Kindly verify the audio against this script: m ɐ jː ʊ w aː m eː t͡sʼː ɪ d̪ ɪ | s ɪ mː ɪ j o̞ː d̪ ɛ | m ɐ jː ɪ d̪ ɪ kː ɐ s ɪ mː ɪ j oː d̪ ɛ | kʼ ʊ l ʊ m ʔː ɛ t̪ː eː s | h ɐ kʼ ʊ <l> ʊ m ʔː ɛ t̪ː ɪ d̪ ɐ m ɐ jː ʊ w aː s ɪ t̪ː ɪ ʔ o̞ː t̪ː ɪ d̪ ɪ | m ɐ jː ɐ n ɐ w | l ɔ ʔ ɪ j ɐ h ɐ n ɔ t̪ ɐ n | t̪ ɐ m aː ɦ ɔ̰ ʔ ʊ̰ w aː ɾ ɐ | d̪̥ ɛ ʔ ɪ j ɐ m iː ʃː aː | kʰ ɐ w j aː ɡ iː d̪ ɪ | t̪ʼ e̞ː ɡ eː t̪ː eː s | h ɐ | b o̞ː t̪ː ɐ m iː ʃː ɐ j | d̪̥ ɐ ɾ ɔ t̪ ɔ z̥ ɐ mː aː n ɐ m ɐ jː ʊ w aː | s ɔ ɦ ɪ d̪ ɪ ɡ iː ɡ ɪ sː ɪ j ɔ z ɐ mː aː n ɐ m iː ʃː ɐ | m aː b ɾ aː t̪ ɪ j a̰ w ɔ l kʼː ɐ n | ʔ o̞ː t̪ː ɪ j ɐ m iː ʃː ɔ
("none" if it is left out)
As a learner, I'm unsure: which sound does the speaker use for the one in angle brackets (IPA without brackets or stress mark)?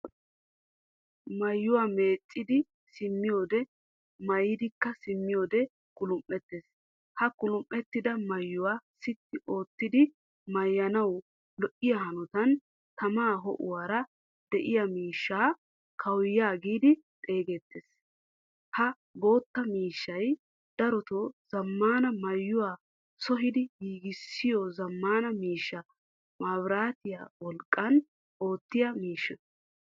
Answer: l